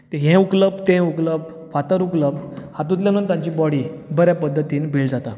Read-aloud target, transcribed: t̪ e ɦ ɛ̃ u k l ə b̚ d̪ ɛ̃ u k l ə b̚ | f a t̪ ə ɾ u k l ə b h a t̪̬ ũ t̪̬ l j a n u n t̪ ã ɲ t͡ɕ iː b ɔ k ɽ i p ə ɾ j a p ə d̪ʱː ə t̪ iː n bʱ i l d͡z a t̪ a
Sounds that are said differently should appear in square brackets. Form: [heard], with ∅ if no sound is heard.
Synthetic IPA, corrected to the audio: t̪ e ɦ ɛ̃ u k l ə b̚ [t̪] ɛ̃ u k l ə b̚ | f a t̪ ə ɾ u k l ə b h a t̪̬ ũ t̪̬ l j a n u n t̪ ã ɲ t͡ɕ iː b ɔ [∅] ɽ i [b] ə ɾ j a p ə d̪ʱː ə t̪ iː n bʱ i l d͡z a t̪ a